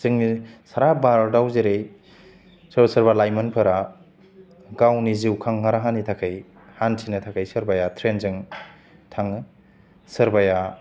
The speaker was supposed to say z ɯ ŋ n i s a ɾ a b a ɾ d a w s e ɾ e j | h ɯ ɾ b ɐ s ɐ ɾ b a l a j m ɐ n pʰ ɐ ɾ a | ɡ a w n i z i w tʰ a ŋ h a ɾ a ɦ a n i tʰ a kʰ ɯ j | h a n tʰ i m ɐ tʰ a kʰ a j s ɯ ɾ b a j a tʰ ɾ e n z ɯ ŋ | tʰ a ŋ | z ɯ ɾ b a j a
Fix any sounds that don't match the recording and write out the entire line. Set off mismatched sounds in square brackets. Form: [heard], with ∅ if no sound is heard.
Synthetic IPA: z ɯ ŋ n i s a ɾ a b a ɾ d a w [z] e ɾ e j | [s] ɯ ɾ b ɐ s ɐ ɾ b a l a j m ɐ n pʰ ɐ ɾ a | ɡ a w n i z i w [kʰ] a ŋ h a ɾ a ɦ a n i tʰ a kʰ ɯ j | h a n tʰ i [n] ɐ tʰ a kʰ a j s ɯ ɾ b a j a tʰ ɾ e n z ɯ ŋ | tʰ a ŋ | [s] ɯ ɾ b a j a